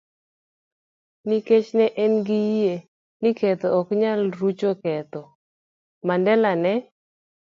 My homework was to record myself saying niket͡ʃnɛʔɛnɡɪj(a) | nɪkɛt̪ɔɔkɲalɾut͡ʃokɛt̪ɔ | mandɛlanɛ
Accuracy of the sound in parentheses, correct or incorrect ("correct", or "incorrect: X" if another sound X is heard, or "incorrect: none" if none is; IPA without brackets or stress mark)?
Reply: incorrect: e